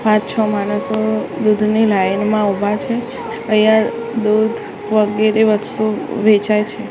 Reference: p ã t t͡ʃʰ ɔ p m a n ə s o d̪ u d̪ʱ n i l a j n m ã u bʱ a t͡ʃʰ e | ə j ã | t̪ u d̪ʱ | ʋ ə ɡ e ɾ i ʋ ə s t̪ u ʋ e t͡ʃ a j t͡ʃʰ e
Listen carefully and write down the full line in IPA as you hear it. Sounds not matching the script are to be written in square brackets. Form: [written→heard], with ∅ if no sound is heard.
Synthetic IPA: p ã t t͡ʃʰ ɔ [p→∅] m a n ə s o d̪ u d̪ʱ n i l a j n m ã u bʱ a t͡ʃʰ e | ə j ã | [t̪→d̪] u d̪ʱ | ʋ ə ɡ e ɾ [i→e] ʋ ə s t̪ u ʋ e t͡ʃ a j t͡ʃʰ e